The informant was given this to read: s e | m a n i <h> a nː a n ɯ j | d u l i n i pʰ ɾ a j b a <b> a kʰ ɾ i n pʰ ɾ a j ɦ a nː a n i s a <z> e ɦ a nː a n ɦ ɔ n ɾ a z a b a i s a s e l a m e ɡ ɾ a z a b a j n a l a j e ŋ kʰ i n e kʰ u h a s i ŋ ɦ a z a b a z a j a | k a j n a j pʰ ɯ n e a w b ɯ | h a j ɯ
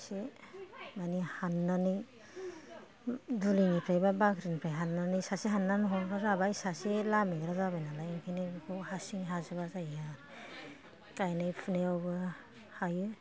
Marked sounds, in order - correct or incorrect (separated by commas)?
correct, correct, incorrect